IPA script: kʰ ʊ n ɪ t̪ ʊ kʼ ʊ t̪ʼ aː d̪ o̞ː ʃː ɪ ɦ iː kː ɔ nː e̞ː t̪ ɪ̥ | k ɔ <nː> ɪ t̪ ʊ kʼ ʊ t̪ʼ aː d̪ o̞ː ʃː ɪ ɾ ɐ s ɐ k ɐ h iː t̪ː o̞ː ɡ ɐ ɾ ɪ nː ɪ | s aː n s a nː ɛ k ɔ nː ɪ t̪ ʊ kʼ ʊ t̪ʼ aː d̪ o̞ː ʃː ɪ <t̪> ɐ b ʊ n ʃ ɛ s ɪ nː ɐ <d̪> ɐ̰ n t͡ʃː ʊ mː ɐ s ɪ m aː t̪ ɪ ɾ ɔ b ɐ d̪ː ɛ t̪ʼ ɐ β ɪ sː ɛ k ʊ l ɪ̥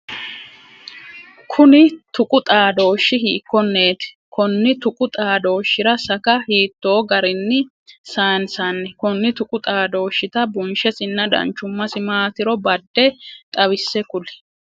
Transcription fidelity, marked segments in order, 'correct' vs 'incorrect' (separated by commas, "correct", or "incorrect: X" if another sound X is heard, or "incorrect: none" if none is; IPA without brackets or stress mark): correct, correct, correct